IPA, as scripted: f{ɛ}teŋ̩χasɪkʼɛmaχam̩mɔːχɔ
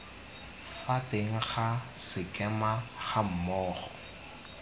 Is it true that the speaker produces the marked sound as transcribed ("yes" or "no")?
no